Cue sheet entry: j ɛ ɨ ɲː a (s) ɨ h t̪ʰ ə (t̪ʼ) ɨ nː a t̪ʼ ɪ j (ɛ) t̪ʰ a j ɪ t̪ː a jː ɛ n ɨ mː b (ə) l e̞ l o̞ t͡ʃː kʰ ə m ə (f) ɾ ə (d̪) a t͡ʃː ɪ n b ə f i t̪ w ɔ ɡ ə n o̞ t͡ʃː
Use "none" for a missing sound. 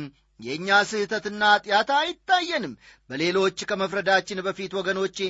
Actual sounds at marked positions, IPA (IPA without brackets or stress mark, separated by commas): s, t̪, a, ə, f, d̪